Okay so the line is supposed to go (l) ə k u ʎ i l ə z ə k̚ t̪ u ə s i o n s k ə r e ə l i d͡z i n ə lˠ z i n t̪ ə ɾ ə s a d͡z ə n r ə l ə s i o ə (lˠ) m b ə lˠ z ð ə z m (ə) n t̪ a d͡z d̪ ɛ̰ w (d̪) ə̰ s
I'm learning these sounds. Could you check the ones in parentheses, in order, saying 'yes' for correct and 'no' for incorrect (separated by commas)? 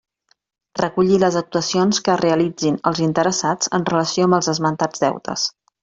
no, no, yes, no